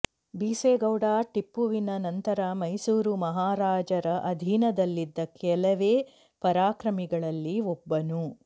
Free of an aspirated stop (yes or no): yes